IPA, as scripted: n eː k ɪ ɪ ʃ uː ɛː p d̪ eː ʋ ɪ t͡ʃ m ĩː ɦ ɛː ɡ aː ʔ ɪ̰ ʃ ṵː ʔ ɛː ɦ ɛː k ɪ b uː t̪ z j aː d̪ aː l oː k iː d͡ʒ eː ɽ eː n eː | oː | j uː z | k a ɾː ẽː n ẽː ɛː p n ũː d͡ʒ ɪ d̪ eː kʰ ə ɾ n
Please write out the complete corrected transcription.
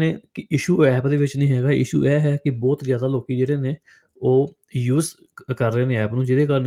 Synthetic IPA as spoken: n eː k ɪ ɪ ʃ uː ɛː p d̪ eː ʋ ɪ t͡ʃ n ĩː ɦ ɛː ɡ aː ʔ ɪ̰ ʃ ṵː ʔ ɛː ɦ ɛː k ɪ b ɔː t̪ z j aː d̪ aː l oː k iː d͡ʒ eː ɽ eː n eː | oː | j uː z | k ə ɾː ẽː n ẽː ɛː p n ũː d͡ʒ ɪ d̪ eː k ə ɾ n